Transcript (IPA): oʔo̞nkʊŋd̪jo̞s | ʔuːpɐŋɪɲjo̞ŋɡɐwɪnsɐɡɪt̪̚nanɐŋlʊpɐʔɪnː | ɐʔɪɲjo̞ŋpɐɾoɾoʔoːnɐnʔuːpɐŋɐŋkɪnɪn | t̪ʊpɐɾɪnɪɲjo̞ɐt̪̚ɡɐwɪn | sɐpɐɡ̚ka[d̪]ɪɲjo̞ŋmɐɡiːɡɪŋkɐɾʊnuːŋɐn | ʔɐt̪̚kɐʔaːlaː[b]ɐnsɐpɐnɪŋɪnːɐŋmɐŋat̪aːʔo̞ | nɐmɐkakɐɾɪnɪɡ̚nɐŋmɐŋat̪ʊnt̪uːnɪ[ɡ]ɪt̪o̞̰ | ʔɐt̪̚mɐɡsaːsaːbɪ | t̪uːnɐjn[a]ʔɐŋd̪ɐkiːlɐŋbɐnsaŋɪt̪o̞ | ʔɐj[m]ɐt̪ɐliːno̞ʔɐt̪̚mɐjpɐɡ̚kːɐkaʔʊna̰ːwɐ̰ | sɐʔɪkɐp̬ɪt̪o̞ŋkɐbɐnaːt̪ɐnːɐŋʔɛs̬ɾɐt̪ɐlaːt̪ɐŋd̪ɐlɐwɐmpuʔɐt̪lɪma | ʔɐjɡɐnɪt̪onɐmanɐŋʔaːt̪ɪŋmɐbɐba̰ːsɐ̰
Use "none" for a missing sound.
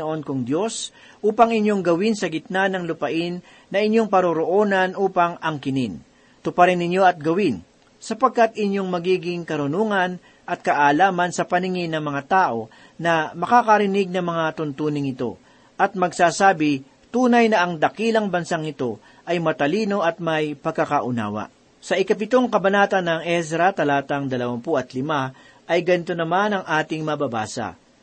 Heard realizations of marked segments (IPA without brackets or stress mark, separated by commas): t̪, m, ŋ, ɐ, m